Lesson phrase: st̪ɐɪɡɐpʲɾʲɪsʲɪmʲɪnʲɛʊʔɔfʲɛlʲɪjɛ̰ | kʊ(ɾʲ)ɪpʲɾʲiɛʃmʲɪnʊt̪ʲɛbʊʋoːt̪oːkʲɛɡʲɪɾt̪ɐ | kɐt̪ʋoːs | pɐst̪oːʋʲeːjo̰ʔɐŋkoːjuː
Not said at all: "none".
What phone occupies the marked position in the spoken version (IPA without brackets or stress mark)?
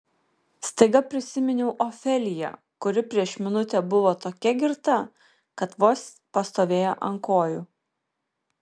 ɾʲ